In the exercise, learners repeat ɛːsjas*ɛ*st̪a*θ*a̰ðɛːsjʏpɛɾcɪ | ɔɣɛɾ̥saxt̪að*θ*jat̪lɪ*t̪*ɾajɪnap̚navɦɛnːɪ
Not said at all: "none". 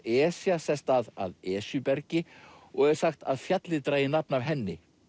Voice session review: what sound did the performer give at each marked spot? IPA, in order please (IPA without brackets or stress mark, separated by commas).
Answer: ɛ, ð, f, t̪